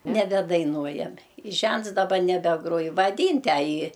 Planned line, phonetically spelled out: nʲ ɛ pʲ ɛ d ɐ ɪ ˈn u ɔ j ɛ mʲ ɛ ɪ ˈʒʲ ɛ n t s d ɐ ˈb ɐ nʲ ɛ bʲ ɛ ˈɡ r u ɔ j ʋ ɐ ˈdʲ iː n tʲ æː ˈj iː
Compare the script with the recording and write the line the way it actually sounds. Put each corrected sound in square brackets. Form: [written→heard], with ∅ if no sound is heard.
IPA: nʲ ɛ [pʲ→bʲ] ɛ d ɐ ɪ ˈn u ɔ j ɛ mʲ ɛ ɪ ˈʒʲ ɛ n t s d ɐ ˈb ɐ nʲ ɛ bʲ ɛ ˈɡ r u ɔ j ʋ ɐ ˈdʲ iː n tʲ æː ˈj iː